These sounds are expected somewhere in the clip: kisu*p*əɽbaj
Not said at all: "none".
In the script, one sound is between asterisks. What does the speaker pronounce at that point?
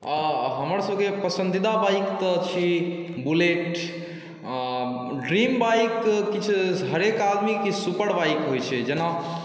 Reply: p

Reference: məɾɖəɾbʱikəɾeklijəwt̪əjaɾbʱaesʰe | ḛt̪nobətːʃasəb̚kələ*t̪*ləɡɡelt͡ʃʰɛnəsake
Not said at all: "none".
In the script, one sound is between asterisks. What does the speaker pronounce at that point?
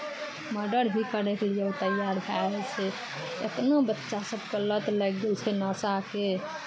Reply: t̪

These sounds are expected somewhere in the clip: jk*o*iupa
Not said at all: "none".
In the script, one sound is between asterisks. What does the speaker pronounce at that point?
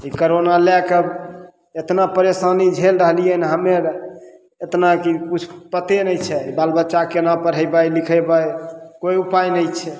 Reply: o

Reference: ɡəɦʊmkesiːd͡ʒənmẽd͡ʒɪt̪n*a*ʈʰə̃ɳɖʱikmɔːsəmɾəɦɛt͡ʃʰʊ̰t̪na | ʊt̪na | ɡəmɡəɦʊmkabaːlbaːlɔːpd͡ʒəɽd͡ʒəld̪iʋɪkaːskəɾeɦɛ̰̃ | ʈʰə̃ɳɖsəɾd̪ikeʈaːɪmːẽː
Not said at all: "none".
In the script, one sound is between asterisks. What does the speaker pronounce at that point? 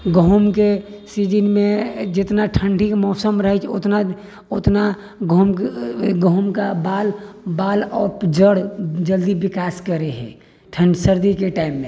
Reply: a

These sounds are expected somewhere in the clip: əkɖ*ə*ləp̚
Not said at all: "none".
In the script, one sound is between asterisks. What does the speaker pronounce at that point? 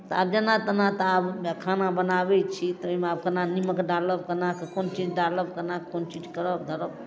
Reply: a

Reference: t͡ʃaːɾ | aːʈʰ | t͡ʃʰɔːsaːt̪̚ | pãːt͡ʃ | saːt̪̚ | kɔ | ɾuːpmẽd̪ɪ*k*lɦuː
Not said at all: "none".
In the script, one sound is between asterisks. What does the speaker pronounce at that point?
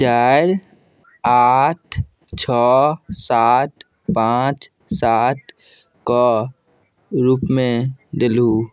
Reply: none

